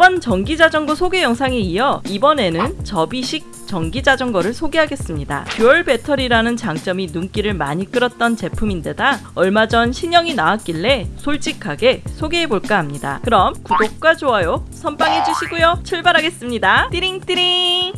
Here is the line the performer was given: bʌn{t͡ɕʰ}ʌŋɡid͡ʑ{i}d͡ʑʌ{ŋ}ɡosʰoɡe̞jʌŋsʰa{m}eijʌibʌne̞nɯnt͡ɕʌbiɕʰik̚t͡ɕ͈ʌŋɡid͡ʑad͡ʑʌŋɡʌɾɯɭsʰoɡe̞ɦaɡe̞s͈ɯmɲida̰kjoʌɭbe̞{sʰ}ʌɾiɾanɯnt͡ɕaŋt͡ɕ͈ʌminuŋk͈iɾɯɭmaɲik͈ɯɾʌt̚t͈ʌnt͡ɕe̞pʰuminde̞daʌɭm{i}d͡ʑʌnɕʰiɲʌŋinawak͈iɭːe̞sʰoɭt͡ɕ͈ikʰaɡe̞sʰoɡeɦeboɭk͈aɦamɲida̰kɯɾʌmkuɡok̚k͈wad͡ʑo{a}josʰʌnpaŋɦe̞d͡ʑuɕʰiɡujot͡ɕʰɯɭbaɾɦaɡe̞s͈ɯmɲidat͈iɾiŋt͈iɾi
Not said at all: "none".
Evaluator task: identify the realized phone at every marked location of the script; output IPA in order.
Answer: t͡ɕ, a, ŋ, ŋ, tʰ, a, a

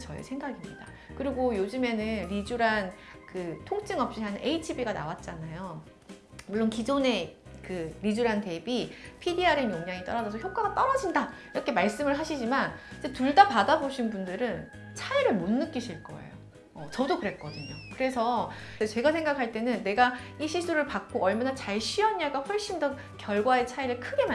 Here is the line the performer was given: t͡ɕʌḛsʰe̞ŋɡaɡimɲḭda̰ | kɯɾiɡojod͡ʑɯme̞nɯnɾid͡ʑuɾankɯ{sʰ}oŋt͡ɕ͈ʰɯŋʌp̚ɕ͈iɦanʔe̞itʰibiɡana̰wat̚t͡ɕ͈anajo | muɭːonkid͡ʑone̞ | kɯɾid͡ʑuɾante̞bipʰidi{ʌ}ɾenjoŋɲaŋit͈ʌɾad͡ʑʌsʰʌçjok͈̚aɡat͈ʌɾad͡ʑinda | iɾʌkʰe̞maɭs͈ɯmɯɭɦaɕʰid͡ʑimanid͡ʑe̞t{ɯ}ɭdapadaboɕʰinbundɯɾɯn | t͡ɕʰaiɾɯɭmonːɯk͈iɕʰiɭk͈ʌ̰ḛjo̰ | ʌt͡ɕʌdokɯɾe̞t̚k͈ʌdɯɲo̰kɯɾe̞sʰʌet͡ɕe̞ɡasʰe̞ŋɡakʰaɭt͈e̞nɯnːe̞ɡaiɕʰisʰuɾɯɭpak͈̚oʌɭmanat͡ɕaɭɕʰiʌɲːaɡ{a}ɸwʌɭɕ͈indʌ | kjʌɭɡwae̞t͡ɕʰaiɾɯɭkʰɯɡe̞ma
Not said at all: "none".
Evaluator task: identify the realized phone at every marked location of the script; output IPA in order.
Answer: tʰ, a, u, a

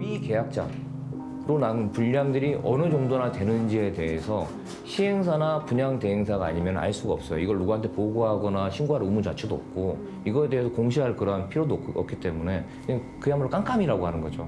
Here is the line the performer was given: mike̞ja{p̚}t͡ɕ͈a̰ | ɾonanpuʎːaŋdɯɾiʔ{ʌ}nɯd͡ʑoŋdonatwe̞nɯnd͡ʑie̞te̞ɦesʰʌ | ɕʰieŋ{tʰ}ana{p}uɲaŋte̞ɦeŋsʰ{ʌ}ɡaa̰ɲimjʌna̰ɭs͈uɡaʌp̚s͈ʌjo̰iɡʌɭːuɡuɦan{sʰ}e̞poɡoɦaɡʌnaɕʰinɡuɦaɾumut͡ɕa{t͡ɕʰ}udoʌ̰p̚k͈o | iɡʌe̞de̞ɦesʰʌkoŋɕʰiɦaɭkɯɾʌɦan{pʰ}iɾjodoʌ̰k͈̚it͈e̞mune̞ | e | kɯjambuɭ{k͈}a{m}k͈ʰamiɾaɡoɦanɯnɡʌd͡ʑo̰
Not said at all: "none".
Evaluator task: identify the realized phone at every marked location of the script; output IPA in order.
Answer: k̚, ʌ, sʰ, p, a, tʰ, t͡ɕʰ, pʰ, k͈, ŋ

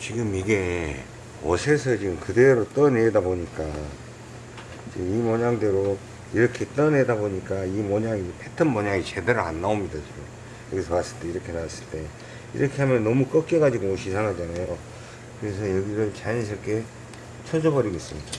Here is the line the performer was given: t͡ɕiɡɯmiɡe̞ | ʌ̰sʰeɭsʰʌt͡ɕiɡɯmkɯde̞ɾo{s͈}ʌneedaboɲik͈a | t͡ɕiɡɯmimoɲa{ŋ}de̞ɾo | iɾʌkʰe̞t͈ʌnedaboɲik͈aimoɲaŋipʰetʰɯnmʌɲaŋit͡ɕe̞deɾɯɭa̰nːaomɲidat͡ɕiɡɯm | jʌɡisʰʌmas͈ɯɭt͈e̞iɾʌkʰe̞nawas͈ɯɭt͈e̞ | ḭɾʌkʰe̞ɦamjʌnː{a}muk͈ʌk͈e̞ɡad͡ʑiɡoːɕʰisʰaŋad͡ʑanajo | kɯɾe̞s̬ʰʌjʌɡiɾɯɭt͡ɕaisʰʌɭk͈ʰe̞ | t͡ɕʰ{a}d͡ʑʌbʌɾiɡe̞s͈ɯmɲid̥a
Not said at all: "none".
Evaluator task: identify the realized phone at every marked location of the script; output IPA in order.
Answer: t͈, ŋ, ʌ, ʌ

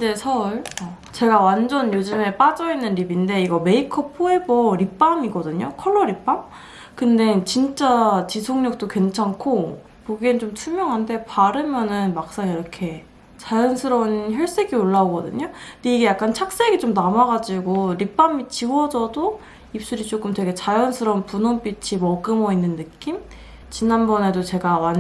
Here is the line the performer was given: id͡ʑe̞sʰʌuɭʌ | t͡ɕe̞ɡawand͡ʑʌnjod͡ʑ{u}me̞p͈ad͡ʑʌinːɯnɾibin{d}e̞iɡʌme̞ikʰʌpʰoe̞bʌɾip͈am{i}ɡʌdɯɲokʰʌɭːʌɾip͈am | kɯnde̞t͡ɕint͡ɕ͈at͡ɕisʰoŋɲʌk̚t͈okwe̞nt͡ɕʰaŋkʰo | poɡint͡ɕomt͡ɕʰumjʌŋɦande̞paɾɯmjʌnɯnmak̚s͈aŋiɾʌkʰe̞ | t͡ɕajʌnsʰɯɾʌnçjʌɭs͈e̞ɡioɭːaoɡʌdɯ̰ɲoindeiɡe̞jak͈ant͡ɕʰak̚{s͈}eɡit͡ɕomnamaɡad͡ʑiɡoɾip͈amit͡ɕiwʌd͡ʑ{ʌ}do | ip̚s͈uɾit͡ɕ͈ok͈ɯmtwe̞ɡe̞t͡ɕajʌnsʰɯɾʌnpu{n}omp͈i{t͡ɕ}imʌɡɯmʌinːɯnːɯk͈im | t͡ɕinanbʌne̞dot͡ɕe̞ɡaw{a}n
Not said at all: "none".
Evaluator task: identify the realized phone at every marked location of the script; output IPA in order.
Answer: ɯ, d, i, s͈, ʌ, n, t͡ɕʰ, a

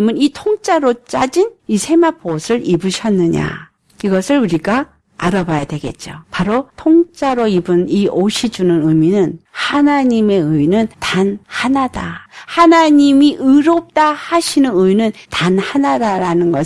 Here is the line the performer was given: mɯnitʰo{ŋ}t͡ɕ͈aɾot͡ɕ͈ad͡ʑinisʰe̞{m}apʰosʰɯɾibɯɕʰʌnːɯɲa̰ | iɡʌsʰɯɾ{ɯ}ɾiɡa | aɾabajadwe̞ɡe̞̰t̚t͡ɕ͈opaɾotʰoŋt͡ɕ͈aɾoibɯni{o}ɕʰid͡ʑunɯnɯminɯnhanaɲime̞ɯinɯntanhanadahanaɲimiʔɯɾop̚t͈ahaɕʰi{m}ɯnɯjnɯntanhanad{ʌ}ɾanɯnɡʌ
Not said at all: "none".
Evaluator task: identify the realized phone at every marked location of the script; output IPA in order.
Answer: ŋ, m, u, o, n, a

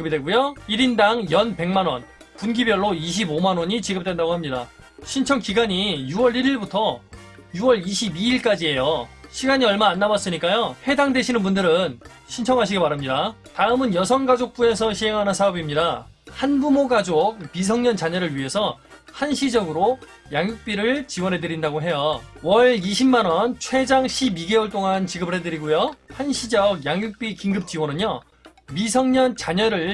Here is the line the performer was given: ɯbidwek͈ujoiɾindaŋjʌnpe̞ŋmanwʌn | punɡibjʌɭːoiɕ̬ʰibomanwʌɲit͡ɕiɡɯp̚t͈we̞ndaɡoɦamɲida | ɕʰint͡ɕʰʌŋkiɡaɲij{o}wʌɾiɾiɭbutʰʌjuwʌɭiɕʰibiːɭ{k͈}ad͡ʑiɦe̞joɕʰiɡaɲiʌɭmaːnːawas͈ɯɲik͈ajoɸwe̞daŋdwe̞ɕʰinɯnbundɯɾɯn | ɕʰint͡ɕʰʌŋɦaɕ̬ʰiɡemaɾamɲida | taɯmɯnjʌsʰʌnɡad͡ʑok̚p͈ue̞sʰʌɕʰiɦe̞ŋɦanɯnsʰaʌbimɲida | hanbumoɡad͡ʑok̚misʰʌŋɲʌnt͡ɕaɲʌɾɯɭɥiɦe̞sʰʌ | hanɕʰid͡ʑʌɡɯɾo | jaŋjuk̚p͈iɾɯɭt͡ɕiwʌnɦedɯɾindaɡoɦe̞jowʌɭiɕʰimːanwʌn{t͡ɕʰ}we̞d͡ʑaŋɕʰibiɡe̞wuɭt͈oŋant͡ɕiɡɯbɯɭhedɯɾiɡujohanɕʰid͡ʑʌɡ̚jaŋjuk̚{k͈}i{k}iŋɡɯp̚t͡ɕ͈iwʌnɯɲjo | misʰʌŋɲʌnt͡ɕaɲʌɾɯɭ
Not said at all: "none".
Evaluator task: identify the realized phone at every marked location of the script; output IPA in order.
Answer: u, k͈, t͡ɕʰ, p͈, k

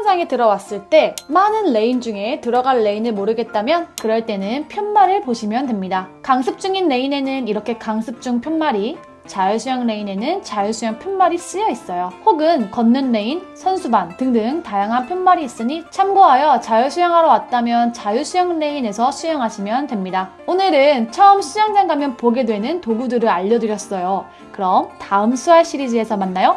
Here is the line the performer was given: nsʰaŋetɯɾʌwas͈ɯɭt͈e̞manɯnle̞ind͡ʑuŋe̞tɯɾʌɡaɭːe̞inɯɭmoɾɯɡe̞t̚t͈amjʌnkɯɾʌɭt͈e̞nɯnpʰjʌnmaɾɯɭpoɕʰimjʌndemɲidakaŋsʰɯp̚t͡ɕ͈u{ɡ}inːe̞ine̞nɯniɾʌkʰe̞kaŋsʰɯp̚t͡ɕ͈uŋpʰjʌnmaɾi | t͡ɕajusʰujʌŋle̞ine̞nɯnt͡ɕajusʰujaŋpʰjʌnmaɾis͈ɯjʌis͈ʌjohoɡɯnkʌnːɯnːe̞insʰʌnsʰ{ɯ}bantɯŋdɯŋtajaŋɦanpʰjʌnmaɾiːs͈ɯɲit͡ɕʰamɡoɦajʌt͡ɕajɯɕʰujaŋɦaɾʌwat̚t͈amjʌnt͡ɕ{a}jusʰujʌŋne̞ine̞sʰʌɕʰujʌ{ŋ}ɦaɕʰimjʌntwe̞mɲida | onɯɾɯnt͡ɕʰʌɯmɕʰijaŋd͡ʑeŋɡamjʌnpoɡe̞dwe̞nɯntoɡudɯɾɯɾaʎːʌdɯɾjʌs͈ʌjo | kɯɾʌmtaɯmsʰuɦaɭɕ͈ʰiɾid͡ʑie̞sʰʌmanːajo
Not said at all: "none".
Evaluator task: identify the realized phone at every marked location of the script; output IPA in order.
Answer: ŋ, u, a, ŋ

